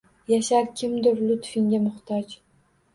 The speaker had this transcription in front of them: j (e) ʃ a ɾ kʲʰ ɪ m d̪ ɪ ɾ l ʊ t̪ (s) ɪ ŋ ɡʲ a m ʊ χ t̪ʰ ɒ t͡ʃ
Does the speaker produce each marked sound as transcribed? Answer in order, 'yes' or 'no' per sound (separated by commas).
no, no